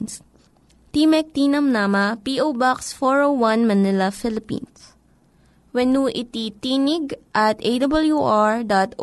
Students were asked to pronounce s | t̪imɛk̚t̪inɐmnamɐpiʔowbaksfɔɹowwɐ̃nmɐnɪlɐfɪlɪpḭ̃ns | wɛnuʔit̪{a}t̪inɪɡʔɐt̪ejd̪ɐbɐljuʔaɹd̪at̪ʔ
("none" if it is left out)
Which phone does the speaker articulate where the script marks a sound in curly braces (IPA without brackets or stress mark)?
i